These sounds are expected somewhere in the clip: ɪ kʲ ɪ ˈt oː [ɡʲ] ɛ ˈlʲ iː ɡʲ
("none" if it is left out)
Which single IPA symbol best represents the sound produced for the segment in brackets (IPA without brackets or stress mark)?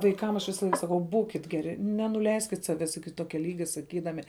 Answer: kʲ